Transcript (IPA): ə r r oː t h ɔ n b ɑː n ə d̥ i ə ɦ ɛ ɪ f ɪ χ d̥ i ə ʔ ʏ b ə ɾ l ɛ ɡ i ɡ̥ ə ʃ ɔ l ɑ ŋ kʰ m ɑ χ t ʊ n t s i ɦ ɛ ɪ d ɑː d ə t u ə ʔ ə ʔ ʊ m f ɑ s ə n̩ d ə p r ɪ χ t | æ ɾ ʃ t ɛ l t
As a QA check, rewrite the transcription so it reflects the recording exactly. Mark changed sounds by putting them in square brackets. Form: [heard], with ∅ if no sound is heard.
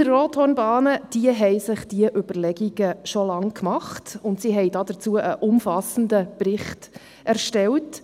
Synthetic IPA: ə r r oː t h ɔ n b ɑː n ə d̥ i ə ɦ ɛ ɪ [s] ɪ χ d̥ i ə ʔ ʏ b ə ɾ l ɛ ɡ i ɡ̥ ə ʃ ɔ l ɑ ŋ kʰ m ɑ χ t ʊ n t s i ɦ ɛ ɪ d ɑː d ə [t͡s] u ə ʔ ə ʔ ʊ m f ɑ s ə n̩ d ə p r ɪ χ t | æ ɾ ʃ t ɛ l t

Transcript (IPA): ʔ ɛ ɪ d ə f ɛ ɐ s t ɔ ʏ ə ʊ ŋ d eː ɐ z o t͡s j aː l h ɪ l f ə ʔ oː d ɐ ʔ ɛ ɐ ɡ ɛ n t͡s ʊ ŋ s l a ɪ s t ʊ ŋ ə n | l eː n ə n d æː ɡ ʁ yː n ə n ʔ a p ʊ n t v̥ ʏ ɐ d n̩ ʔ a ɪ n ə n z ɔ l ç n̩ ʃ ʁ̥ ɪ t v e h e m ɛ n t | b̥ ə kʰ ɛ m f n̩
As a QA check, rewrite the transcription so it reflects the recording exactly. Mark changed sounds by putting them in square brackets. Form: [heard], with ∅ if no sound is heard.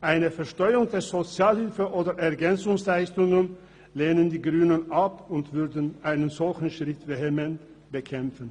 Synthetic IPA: ʔ [a] ɪ [n] ə f ɛ ɐ [ʃ] t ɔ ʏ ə ʊ ŋ d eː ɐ z o t͡s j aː l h ɪ l f ə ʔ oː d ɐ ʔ ɛ ɐ ɡ ɛ n t͡s ʊ ŋ s l a ɪ s t ʊ ŋ ə n | l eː n ə n d [iː] ɡ ʁ yː n ə n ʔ a p ʊ n t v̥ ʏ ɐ d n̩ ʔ a ɪ n ə n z ɔ l ç n̩ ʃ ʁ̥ ɪ t v e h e m ɛ n t | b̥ ə kʰ ɛ m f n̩

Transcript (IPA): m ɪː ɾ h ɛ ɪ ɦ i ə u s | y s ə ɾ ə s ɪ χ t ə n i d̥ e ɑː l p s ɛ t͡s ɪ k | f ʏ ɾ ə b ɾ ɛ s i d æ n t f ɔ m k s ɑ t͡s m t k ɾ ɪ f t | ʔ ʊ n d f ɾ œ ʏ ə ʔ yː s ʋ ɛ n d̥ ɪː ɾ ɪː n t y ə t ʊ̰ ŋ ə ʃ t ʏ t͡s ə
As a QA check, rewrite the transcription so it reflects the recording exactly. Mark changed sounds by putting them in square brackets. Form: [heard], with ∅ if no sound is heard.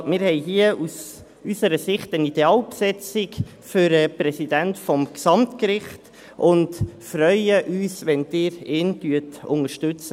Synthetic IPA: m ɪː ɾ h ɛ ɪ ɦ i ə u s | y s ə ɾ ə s ɪ χ t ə n i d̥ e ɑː l p s ɛ t͡s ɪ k | f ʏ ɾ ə [p] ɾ ɛ s i d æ n t f ɔ m k s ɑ [∅] m t k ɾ ɪ [χ] t | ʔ ʊ n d f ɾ œ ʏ ə ʔ yː s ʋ ɛ n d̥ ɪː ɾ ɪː n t y ə t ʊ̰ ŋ ə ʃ t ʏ t͡s ə

